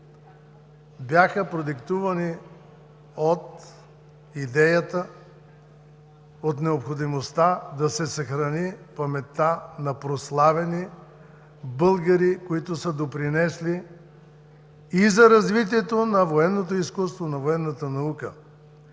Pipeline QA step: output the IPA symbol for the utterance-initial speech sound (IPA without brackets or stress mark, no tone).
b